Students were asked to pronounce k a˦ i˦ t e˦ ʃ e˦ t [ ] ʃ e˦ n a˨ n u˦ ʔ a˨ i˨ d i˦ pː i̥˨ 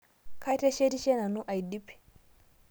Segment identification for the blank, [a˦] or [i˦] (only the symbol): i˦